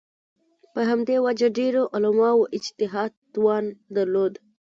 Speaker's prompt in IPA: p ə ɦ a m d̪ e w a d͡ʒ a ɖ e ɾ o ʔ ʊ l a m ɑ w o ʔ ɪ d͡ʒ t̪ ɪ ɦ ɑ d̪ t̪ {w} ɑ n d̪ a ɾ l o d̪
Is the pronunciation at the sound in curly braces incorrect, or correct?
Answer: correct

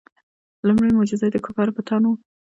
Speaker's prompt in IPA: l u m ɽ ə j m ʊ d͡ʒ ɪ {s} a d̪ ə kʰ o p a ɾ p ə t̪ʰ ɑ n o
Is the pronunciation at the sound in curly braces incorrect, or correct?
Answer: incorrect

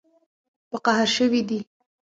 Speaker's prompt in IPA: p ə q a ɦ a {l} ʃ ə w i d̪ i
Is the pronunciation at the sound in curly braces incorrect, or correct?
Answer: incorrect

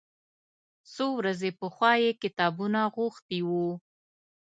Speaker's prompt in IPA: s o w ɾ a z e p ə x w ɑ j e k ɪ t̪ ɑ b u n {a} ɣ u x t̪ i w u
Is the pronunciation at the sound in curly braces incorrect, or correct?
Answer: correct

